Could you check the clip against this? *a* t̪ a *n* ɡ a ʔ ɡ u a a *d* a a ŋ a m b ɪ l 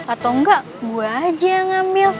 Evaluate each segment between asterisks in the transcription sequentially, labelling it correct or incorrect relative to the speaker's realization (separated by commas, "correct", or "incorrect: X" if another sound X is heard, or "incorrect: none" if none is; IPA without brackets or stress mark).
correct, incorrect: ŋ, incorrect: d͡ʒ